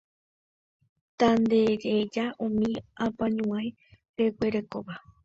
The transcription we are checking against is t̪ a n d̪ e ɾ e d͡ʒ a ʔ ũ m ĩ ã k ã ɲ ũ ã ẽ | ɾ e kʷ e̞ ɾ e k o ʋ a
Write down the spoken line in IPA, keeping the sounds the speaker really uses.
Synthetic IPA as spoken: t̪ a n d̪ e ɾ e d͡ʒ a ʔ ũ m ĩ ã p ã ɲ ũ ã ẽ | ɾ e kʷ e̞ ɾ e k o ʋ a